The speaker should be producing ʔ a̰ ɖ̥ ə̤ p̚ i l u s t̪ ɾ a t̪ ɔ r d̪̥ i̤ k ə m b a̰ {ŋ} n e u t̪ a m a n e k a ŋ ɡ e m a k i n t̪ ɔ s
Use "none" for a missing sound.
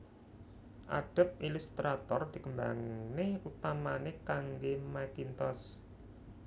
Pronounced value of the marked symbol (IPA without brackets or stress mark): ŋ